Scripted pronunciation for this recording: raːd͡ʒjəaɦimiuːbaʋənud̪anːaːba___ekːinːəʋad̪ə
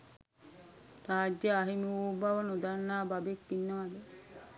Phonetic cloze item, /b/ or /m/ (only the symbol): b